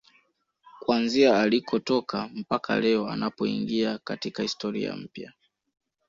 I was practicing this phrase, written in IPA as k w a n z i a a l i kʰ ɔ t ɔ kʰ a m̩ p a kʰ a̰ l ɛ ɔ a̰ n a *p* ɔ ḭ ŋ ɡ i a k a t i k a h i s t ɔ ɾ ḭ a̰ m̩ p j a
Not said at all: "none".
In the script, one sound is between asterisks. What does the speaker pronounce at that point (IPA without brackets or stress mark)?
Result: p